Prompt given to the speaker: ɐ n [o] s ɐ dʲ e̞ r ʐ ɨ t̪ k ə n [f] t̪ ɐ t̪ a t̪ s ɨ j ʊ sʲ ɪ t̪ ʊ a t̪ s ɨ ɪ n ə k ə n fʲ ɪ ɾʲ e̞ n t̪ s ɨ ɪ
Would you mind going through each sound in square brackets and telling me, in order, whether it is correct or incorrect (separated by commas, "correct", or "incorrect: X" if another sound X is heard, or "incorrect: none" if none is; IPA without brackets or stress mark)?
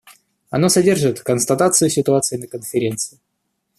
correct, incorrect: s